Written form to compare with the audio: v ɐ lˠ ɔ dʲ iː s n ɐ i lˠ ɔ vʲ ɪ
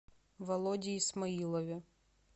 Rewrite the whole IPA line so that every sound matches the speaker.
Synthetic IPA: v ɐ lˠ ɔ dʲ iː s m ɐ i lˠ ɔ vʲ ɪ